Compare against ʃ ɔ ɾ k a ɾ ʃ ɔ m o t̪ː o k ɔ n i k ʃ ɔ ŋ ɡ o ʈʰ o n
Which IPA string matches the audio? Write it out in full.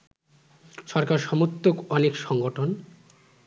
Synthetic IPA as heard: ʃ ɔ ɾ k a ɾ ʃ ɔ m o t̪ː o k ɔ n e k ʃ ɔ ŋ ɡ o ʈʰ o n